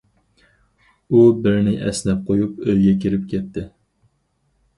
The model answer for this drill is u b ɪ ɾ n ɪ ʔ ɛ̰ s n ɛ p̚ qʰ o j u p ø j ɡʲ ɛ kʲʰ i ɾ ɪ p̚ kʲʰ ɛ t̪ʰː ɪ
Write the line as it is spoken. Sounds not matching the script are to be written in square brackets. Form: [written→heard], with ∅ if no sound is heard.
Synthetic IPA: u b ɪ ɾ n ɪ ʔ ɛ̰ s n ɛ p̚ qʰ o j u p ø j ɡʲ ɛ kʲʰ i ɾ ɪ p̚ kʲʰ ɛ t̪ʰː ɪ